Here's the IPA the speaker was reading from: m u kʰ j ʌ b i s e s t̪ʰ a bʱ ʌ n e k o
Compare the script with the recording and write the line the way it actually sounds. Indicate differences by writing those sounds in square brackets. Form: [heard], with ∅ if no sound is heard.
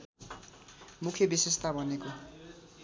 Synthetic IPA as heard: m u kʰ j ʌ b i s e s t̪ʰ a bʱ ʌ n e k o